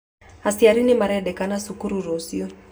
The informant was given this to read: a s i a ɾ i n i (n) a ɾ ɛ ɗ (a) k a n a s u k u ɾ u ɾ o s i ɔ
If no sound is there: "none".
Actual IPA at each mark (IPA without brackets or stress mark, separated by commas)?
m, ɛ